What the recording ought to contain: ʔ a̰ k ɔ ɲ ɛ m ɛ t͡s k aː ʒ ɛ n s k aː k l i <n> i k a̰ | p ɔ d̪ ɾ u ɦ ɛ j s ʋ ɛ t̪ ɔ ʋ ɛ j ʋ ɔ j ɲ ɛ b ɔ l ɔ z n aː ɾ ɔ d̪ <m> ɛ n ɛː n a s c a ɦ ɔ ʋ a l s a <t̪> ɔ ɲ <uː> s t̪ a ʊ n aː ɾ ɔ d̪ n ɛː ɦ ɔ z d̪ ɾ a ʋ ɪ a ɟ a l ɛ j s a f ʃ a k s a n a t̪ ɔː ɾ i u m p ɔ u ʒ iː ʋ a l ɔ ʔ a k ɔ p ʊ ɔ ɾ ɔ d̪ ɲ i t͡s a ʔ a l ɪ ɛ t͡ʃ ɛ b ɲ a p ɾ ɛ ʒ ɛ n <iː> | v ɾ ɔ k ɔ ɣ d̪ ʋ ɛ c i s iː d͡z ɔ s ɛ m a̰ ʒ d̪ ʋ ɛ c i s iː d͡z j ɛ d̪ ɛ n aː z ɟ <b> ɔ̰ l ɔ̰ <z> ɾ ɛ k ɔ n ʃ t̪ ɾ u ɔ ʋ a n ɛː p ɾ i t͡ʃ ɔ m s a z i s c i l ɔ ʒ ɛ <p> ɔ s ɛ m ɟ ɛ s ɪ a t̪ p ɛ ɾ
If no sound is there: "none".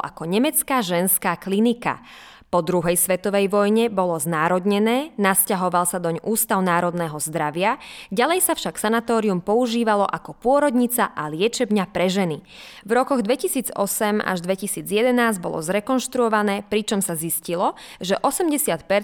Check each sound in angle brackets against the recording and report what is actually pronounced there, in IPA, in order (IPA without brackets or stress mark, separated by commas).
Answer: n, ɲ, d̪, uː, i, b, z, ʔ